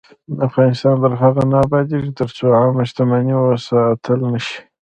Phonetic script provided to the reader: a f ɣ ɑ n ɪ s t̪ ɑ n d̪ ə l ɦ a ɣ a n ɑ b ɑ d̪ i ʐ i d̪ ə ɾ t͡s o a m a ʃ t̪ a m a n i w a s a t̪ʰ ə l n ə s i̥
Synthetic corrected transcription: a f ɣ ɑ n ɪ s t̪ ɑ n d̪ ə ɾ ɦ a ɣ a n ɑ b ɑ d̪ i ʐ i t̪ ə ɾ t͡s o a m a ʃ t̪ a m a n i w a s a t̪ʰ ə l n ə ʃ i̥